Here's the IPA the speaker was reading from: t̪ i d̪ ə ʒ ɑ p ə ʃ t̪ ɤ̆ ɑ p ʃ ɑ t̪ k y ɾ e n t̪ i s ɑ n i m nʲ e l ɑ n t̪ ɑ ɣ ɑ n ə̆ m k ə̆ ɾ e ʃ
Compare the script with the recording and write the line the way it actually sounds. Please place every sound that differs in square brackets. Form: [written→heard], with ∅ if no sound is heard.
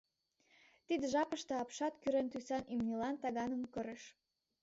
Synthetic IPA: t̪ i d̪ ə ʒ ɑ p ə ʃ t̪ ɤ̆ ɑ p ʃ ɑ t̪ k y ɾ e n t̪ [i→y] s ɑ n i m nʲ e l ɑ n t̪ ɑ ɣ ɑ n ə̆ m k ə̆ ɾ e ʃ